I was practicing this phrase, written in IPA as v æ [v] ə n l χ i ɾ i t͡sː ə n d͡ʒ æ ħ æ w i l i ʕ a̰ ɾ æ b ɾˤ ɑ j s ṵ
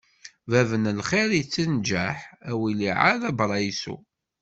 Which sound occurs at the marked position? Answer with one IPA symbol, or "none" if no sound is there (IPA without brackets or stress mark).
v